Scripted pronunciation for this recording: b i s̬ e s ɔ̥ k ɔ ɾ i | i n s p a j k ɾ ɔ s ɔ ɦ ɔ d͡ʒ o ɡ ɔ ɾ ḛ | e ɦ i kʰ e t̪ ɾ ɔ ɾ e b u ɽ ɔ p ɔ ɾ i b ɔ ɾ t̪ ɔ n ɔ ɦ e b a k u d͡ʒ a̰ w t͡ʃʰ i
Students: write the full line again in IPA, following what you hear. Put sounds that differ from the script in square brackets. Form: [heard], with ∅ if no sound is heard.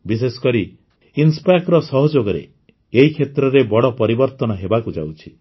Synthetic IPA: b i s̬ e s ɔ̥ k ɔ ɾ i | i n s p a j k ɾ ɔ s ɔ ɦ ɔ d͡ʒ o ɡ ɔ ɾ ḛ | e ɦ i kʰ e t̪ ɾ ɔ ɾ e b [ɔ] ɽ ɔ p ɔ ɾ i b ɔ ɾ t̪ ɔ n ɔ ɦ e b a k u d͡ʒ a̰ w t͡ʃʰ i